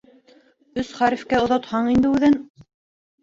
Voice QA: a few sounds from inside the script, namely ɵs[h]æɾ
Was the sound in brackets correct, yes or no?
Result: no